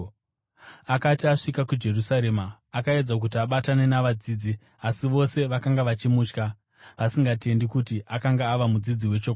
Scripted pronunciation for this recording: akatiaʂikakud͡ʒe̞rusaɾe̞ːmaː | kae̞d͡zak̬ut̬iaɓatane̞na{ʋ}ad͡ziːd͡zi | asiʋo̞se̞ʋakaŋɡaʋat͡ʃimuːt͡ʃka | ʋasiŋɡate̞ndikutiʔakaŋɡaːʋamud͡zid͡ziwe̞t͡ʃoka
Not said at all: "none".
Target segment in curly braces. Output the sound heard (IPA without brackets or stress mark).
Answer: ʋ